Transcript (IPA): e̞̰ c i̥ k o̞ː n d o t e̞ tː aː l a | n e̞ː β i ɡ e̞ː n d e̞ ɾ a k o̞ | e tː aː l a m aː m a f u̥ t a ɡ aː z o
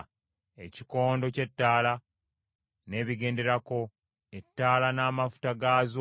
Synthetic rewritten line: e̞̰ c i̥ k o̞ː n d o c e̞ tː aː l a | n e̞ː β i ɡ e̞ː n d e̞ ɾ a k o̞ | e tː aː l a n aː m a f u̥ t a ɡ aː z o